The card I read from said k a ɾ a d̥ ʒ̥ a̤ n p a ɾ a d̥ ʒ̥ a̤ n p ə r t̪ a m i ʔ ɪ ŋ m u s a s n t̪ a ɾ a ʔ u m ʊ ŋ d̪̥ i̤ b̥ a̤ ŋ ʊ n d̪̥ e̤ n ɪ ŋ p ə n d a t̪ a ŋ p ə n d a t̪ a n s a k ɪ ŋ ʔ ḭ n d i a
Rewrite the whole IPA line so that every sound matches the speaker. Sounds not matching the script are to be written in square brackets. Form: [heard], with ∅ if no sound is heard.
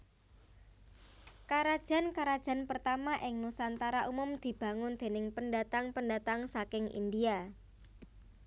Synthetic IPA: k a ɾ a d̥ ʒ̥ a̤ n [k] a ɾ a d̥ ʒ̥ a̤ n p ə r t̪ a m [a] ʔ ɪ ŋ [n] u s a [∅] n t̪ a ɾ a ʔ u m ʊ [m] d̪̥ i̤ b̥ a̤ ŋ ʊ n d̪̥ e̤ n ɪ ŋ p ə n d a t̪ a ŋ p ə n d a t̪ a [ŋ] s a k ɪ ŋ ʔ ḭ n d i a

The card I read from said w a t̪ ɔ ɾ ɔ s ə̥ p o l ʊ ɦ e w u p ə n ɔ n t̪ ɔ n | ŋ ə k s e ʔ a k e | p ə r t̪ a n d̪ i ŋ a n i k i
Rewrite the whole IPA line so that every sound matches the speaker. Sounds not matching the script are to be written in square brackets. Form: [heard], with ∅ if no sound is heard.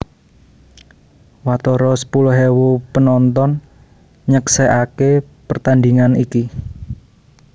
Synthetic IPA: w a t̪ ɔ ɾ ɔ s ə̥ p [u] l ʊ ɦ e w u p ə n ɔ n t̪ ɔ n | [ɲ] ə k s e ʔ a k e | p ə r t̪ a n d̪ i ŋ a n i k i

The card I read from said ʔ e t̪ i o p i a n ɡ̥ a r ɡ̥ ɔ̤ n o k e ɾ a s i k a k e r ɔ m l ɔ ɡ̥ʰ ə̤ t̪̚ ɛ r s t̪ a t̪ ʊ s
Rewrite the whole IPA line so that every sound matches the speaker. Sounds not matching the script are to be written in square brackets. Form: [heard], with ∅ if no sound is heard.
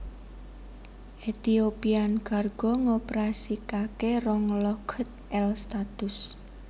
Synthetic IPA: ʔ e t̪ i o p i a n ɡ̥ a r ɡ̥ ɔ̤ [ŋ] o [p] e ɾ a s i k a k e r ɔ [ŋ] l ɔ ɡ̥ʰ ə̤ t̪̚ ɛ [l] s t̪ a t̪ ʊ s

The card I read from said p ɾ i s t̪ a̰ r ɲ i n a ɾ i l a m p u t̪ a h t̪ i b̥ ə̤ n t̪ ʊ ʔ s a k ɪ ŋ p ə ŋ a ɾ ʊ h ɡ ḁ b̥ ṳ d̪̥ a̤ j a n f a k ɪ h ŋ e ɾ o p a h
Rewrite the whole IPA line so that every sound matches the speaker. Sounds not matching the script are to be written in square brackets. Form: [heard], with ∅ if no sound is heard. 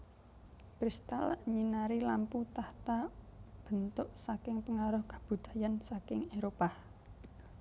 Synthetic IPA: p ɾ i s t̪ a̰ [l] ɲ i n a ɾ i l a m p u t̪ a h t̪ [a] b̥ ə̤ n t̪ ʊ ʔ s a k ɪ ŋ p ə ŋ a ɾ ʊ h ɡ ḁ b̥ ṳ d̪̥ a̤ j a n [s] a k ɪ [∅] ŋ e ɾ o p a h

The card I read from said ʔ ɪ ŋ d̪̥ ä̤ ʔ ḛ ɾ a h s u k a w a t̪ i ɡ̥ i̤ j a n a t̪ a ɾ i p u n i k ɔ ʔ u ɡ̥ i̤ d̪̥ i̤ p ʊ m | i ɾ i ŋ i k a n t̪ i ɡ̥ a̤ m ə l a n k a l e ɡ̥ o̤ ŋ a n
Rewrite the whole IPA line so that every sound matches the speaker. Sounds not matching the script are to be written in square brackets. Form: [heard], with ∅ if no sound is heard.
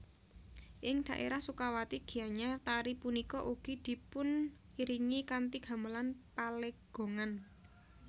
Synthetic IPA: ʔ ɪ ŋ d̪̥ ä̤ ʔ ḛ ɾ a h s u k a w a t̪ i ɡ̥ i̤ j a [ɲ] a t̪ a ɾ i p u n i k ɔ ʔ u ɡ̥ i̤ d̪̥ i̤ p ʊ [n] | i ɾ i ŋ i k a n t̪ i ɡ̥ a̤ m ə l a n [p] a l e ɡ̥ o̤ ŋ a n

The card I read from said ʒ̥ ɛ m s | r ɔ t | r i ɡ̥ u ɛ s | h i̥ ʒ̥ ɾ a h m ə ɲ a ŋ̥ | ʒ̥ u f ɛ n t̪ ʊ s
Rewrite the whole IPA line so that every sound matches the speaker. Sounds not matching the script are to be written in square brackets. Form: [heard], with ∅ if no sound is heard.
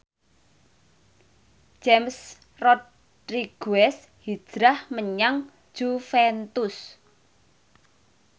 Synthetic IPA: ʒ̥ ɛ m s | r ɔ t | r i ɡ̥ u ɛ s | h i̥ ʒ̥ ɾ a h m ə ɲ a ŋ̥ | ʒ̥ u f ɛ n t̪ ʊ s

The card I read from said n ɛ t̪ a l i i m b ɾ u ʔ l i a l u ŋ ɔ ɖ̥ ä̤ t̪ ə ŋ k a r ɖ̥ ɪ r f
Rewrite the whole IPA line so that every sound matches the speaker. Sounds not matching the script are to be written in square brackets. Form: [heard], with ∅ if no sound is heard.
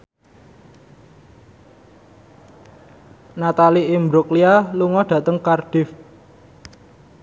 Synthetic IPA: n [a] t̪ a l i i m b ɾ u [k] l i a l u ŋ ɔ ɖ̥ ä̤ t̪ ə ŋ k a r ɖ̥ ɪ [∅] f

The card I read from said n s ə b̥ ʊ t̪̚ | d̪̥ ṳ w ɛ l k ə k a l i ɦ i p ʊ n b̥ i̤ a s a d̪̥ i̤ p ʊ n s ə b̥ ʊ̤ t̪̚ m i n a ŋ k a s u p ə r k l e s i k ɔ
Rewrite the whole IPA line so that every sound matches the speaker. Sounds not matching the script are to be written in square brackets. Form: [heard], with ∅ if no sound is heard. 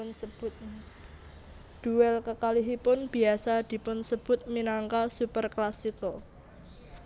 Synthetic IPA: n s ə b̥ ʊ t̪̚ | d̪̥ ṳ w ɛ l k ə k a l i ɦ i p ʊ n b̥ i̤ a s a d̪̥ i̤ p ʊ n s ə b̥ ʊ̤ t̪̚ m i n a ŋ k a s u p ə r k l [a] s i k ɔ

